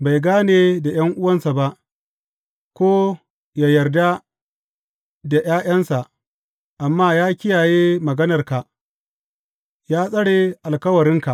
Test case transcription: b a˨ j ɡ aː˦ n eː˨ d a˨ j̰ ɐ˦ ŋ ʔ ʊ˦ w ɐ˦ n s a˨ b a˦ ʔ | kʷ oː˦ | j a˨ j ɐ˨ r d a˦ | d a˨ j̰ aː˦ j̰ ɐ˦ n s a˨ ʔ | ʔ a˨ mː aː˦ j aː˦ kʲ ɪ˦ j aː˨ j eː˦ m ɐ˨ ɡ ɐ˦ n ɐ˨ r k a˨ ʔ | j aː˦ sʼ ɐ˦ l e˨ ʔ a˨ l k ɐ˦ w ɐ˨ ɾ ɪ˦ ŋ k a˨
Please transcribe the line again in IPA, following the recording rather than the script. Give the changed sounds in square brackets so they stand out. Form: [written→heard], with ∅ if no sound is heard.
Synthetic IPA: b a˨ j ɡ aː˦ n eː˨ d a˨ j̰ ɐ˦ ŋ ʔ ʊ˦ w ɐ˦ n s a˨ b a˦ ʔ | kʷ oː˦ | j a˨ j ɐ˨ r d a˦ | d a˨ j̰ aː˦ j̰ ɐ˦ n s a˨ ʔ | ʔ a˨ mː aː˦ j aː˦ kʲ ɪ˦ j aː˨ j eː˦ m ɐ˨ ɡ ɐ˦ n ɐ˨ r k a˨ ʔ | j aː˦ sʼ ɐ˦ [l→ɽ] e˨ ʔ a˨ l k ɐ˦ w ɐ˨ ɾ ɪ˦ ŋ k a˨